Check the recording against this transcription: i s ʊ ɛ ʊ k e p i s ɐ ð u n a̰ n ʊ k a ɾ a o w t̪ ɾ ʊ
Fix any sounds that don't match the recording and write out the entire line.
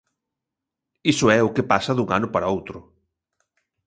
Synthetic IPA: i s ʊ ɛ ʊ k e p a s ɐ ð u ŋ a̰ n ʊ p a ɾ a o w t̪ ɾ ʊ